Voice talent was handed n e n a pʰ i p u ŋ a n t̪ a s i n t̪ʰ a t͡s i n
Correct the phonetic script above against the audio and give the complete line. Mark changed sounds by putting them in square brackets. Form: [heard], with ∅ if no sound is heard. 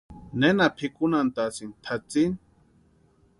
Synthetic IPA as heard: n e n a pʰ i [k] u [n] a n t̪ a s i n t̪ʰ a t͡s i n